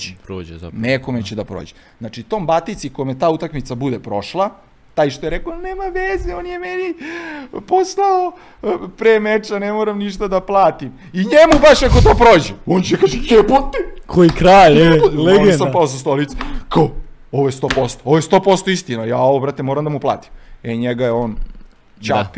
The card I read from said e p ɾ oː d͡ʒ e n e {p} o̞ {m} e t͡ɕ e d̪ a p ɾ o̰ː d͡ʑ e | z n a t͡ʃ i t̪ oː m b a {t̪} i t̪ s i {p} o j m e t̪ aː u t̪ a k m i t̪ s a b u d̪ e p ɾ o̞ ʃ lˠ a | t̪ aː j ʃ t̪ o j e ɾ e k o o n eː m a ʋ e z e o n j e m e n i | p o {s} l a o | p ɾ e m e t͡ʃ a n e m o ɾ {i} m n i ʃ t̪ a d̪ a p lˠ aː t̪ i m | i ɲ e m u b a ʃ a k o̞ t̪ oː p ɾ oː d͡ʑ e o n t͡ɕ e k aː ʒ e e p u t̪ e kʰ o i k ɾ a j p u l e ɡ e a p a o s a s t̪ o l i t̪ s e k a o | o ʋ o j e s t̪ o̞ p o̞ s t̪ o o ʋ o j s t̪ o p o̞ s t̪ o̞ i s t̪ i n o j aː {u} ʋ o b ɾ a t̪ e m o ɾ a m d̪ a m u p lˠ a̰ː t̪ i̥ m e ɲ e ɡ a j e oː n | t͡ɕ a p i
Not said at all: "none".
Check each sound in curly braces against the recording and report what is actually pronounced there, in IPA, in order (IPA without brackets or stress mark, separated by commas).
k, m, t̪, k, s, a, o